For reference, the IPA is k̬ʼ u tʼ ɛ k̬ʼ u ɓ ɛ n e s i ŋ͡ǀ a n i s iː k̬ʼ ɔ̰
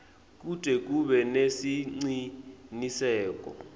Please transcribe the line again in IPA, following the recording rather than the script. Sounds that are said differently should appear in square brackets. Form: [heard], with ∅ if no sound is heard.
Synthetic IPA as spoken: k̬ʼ u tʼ ɛ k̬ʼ u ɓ ɛ n e s i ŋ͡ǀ [i] n i s [ɛː] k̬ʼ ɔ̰